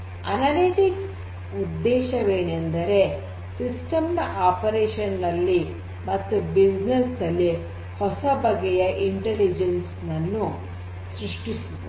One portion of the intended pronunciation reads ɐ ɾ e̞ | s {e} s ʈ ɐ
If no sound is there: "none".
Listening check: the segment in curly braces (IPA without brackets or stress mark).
i